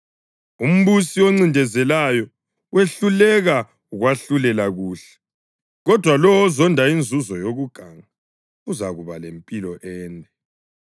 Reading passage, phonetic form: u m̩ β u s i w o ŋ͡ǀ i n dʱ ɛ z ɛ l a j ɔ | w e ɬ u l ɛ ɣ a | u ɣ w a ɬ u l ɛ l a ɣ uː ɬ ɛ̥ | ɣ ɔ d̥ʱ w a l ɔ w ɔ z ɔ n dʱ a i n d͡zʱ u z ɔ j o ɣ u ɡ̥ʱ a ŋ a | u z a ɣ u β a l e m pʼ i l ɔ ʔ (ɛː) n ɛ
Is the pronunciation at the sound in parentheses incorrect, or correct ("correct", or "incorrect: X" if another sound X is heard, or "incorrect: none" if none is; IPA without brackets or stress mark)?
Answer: correct